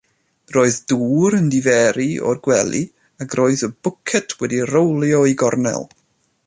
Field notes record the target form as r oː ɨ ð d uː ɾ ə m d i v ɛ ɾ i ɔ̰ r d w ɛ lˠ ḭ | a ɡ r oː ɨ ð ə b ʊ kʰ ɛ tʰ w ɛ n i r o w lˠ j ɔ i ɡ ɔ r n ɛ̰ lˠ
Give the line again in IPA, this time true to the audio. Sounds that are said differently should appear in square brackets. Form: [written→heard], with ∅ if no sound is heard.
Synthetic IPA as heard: r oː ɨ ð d uː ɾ ə [m→n] d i v ɛ ɾ i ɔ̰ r [d→ɡ] w ɛ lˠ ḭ | a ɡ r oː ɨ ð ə b ʊ kʰ ɛ tʰ w ɛ [n→d] i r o w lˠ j ɔ i ɡ ɔ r n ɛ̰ lˠ